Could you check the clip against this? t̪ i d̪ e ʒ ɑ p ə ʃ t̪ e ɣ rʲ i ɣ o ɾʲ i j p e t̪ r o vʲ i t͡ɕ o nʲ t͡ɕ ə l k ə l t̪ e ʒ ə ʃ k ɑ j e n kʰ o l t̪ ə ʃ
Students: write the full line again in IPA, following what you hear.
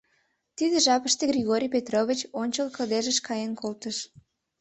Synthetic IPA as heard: t̪ i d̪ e ʒ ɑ p ə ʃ t̪ e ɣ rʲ i ɣ o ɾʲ i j p e t̪ r o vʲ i t͡ɕ o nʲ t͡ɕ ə l k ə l d̪ e ʒ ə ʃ k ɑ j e n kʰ o l t̪ ə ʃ